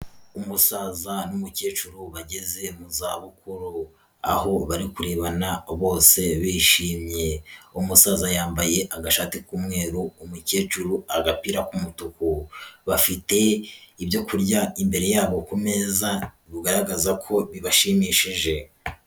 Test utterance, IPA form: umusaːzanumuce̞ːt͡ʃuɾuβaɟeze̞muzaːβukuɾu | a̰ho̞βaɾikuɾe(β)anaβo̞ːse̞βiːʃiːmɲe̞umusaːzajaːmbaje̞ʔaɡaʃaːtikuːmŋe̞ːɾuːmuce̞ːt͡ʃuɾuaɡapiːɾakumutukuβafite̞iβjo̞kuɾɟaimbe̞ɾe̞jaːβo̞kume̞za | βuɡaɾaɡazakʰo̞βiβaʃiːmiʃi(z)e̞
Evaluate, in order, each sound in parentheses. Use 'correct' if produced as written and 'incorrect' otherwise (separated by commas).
correct, incorrect